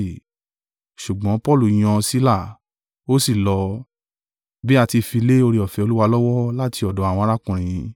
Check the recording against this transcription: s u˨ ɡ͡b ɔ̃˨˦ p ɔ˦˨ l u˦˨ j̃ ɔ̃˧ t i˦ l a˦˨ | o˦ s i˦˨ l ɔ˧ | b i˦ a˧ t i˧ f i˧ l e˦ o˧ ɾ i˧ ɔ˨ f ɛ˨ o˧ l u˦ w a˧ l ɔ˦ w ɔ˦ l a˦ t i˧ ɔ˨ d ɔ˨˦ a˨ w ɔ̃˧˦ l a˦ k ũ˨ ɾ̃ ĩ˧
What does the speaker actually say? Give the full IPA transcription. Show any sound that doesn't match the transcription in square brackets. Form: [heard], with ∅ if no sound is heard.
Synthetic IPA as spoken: [ʃ] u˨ ɡ͡b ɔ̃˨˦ p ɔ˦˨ l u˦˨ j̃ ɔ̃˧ [s] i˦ l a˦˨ | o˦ s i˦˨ l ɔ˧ | b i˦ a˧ t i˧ f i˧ l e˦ o˧ ɾ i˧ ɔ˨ f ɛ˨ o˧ l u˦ w a˧ l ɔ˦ w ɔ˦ l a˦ t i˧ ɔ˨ d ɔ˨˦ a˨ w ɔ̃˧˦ [ɾ] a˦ k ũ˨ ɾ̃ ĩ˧